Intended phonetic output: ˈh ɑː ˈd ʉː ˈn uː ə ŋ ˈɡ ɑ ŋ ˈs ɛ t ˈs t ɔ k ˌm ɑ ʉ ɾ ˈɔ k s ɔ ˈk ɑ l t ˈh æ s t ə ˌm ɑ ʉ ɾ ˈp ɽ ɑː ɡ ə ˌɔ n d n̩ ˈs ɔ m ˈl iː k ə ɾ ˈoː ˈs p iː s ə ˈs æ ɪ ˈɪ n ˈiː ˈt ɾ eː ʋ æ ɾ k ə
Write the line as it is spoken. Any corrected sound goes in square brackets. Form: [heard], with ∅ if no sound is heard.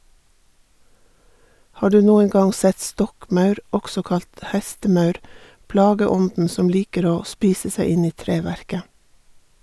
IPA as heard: ˈh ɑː ˈd ʉː ˈn uː ə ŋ ˈɡ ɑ ŋ ˈs ɛ t ˈs t ɔ k ˌm ɑ ʉ ɾ ˈɔ k s ɔ ˈk ɑ l t ˈh [ɛ] s t ə ˌm ɑ ʉ ɾ ˈp [l] ɑː ɡ ə ˌɔ n d n̩ ˈs ɔ m ˈl iː k ə ɾ ˈoː ˈs p iː s ə ˈs æ ɪ ˈɪ n ˈiː ˈt ɾ eː ʋ æ ɾ k ə